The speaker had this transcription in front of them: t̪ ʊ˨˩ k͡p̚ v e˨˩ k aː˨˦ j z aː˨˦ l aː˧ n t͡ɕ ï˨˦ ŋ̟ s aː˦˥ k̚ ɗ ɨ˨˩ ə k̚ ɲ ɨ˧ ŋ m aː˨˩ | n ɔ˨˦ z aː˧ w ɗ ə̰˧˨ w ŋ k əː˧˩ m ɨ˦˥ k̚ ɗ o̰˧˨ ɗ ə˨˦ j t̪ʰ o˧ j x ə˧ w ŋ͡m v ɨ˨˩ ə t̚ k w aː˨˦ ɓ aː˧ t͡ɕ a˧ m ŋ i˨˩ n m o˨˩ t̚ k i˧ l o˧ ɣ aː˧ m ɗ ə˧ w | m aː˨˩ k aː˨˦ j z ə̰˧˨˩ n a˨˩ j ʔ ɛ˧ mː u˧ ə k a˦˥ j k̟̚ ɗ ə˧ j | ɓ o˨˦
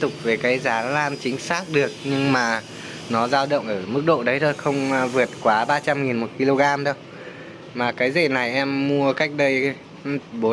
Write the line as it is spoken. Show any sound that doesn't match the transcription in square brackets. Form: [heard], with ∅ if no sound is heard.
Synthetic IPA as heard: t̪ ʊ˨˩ k͡p̚ v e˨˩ k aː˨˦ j z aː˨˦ l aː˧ n t͡ɕ ï˨˦ ŋ̟ s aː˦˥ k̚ ɗ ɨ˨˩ ə k̚ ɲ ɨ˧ ŋ m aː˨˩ | n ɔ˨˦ z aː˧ w ɗ ə̰˧˨ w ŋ [ʔ] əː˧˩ m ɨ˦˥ k̚ ɗ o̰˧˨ ɗ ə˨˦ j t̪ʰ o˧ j x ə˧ w ŋ͡m v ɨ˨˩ ə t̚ k w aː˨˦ ɓ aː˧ t͡ɕ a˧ m ŋ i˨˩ n m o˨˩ t̚ k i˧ l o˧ ɣ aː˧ m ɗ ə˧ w | m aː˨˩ k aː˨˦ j z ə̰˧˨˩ n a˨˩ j ʔ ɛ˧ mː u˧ ə k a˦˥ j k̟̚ ɗ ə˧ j | ɓ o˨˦

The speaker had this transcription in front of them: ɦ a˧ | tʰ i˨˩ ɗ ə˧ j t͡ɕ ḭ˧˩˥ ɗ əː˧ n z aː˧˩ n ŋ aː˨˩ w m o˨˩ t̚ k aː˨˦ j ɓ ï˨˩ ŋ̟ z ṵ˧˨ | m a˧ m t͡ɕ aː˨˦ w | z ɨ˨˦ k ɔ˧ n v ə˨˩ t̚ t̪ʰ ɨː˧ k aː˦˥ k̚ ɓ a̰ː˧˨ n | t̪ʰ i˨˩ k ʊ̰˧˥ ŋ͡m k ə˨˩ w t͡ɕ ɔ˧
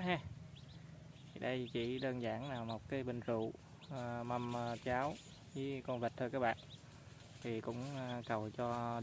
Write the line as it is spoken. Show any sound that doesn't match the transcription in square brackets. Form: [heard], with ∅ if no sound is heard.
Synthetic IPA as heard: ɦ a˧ | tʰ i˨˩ ɗ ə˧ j t͡ɕ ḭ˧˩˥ ɗ əː˧ n z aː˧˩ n [n] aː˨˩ w m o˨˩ t̚ k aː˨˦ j ɓ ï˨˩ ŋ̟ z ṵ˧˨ | m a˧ m t͡ɕ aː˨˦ w | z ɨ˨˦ k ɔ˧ n v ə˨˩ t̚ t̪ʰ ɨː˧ k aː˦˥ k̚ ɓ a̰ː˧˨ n | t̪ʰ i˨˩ k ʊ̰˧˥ ŋ͡m k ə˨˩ w t͡ɕ ɔ˧

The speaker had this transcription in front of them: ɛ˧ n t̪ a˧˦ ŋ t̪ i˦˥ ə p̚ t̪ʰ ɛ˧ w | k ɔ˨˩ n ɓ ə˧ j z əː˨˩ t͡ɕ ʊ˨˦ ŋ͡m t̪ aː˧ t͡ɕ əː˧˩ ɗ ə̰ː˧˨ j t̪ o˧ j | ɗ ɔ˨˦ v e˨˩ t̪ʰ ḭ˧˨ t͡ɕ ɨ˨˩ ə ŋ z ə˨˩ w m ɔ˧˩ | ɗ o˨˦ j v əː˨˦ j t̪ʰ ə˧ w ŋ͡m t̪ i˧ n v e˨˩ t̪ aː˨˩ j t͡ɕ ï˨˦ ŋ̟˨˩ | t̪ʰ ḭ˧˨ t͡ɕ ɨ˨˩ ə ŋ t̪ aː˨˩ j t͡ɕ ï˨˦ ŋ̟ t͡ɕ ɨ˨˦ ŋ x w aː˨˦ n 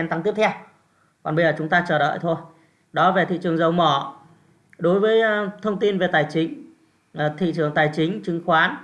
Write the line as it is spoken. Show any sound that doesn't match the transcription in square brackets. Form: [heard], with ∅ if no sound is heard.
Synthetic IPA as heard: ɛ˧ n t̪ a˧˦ ŋ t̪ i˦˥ ə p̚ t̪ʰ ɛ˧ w | k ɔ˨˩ n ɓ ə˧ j z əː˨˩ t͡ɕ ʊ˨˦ ŋ͡m t̪ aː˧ t͡ɕ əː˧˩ ɗ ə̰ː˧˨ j [t̪ʰ] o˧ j | ɗ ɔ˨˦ v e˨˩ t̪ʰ ḭ˧˨ t͡ɕ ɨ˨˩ ə ŋ z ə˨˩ w m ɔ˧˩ | ɗ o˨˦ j v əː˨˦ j t̪ʰ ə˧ w ŋ͡m t̪ i˧ n v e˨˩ t̪ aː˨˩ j t͡ɕ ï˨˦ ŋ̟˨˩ | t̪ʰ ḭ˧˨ t͡ɕ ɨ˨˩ ə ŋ t̪ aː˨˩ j t͡ɕ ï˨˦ ŋ̟ t͡ɕ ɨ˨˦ ŋ x w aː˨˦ n

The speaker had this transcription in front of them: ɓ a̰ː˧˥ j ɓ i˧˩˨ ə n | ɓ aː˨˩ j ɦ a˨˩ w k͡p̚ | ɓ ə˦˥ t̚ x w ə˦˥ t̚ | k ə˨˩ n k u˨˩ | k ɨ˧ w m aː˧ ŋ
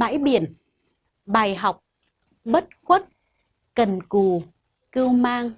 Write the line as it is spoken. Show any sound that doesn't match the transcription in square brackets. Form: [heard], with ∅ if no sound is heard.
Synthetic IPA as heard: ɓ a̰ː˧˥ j ɓ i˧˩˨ ə n | ɓ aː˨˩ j ɦ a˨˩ w k͡p̚ | ɓ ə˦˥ t̚ x w ə˦˥ t̚ | k ə˨˩ n k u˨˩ | k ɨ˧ w m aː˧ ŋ

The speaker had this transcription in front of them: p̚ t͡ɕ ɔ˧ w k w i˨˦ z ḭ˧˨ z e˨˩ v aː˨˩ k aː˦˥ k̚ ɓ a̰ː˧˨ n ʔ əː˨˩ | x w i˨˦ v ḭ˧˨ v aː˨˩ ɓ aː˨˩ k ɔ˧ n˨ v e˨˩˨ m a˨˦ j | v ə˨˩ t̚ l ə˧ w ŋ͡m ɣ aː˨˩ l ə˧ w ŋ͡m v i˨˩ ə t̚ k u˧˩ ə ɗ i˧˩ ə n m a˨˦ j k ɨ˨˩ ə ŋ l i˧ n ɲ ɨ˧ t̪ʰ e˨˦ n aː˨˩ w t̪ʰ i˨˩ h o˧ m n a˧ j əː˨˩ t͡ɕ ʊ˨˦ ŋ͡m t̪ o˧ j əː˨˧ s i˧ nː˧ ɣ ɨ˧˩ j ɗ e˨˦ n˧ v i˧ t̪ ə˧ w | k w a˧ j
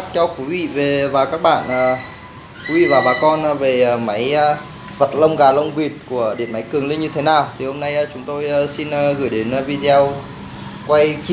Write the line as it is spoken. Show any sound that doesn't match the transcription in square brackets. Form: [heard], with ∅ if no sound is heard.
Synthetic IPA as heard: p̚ t͡ɕ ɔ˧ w k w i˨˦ [v] ḭ˧˨ [v] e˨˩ v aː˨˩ k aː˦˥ k̚ ɓ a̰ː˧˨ n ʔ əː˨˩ | [k] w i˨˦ v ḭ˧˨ v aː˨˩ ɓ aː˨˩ k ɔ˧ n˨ v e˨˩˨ m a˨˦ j | v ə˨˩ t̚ l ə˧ w ŋ͡m ɣ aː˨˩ l ə˧ w ŋ͡m v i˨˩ ə t̚ k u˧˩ ə ɗ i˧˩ ə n m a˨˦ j k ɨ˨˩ ə ŋ l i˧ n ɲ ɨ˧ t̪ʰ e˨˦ n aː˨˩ w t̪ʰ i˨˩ h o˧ m n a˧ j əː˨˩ t͡ɕ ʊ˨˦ ŋ͡m t̪ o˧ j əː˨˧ s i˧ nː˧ ɣ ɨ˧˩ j ɗ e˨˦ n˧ v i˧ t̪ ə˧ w | k w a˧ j

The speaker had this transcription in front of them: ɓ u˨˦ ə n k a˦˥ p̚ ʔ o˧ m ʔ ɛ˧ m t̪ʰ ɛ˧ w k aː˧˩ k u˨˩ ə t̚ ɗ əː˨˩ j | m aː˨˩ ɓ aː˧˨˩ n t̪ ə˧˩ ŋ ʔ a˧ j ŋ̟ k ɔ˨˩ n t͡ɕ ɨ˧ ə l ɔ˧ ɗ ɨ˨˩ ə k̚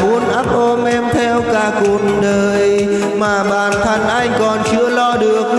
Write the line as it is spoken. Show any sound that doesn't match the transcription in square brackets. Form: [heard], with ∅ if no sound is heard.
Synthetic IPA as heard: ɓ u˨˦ ə n [ʔ] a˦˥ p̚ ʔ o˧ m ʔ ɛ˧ m t̪ʰ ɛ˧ w k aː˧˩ k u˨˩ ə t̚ ɗ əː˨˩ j | m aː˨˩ ɓ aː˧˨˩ n [t̪ʰ] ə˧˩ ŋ ʔ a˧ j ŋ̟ k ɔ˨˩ n t͡ɕ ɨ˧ ə l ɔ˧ ɗ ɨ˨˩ ə k̚

